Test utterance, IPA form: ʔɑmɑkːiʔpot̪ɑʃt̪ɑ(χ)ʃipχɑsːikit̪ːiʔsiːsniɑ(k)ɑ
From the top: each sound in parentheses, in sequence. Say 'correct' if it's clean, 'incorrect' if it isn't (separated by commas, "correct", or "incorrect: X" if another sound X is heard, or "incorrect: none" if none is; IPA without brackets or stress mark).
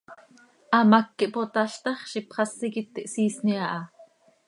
correct, incorrect: ʔ